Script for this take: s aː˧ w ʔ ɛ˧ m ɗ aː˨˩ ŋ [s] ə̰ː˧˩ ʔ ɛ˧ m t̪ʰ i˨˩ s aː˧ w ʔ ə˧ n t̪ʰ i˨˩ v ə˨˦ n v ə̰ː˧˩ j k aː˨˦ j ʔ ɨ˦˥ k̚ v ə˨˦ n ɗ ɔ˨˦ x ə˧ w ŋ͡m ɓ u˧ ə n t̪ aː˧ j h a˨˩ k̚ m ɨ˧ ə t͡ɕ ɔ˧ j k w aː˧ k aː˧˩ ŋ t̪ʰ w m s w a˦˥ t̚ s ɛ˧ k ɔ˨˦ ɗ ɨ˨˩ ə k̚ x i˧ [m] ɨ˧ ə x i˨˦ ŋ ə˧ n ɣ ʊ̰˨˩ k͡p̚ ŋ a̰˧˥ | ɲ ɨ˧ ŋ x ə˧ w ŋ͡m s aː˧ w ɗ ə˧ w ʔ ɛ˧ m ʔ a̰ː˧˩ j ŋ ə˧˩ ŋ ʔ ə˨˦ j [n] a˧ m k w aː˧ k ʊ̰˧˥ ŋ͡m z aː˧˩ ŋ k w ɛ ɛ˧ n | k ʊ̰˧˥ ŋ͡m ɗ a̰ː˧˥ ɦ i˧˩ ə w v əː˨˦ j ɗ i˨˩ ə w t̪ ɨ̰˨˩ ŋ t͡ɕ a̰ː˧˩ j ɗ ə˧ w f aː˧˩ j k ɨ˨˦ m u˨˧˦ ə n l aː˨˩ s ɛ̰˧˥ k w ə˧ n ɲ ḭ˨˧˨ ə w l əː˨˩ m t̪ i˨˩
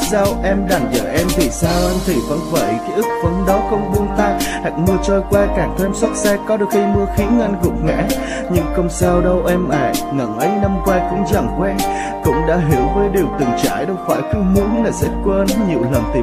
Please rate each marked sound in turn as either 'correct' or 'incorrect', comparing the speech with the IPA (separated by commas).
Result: incorrect, correct, correct